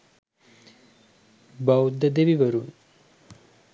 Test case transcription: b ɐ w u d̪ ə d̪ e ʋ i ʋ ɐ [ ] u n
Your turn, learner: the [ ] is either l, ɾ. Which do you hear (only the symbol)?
ɾ